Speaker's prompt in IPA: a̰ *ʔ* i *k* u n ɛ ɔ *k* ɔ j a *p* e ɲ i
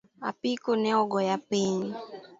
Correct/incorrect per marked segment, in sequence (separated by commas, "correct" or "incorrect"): incorrect, correct, incorrect, correct